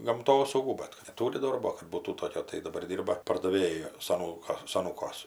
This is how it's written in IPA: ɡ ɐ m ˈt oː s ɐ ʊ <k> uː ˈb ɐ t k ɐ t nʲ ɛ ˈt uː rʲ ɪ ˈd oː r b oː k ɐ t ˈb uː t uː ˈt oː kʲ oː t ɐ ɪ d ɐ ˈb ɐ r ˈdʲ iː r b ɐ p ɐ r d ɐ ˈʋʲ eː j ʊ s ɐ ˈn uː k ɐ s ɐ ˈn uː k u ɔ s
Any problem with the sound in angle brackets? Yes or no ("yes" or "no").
yes